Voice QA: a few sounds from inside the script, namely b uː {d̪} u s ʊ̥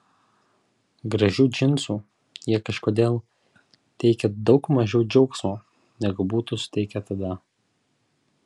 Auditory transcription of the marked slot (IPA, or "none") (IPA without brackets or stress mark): t̪